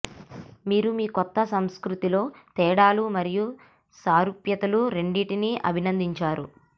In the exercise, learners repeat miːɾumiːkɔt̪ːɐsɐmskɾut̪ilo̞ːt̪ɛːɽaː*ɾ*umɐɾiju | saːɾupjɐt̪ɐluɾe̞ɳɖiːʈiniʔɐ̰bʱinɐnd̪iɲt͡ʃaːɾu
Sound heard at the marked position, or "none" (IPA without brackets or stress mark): l